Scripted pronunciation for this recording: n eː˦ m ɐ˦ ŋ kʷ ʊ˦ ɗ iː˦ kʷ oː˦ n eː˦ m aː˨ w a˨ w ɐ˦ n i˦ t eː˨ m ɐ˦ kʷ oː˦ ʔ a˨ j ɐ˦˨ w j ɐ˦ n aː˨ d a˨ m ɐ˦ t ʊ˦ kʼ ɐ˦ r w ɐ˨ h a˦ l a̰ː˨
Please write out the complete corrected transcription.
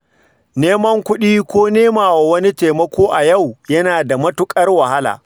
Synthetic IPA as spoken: n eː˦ m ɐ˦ ŋ kʷ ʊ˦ ɗ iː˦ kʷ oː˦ n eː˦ m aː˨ w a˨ w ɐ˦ n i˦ t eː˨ m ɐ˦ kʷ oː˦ ʔ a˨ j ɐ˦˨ w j ɐ˦ n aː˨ d a˨ m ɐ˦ t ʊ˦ kʼ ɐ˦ r w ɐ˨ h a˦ l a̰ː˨